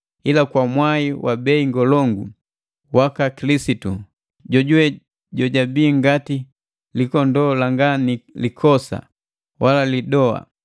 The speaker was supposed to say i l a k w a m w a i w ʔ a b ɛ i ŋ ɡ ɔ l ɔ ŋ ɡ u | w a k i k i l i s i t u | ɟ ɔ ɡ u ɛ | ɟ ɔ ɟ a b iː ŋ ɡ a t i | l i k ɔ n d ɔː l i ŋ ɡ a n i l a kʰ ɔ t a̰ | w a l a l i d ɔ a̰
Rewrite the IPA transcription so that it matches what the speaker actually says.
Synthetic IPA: i l a k w a m w a i w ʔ a b ɛ i ŋ ɡ ɔ l ɔ ŋ ɡ u | w a k a k i l i s i t u | ɟ ɔ ɟ u ɛ | ɟ ɔ ɟ a b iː ŋ ɡ a t i | l i k ɔ n d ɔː l a ŋ ɡ a n i l i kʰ ɔ s a̰ | w a l a l i d ɔ a̰